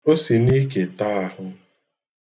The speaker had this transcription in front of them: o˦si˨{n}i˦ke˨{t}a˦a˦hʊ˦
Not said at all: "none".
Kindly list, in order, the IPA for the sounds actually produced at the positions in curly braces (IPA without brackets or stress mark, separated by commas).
n, t